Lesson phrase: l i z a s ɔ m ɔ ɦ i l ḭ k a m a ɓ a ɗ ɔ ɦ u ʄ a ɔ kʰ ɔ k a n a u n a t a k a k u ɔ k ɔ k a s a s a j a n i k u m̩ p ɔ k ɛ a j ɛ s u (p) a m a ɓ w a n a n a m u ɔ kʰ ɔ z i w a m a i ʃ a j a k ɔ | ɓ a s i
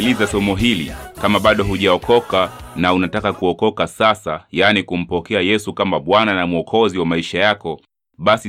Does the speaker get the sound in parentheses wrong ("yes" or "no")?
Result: yes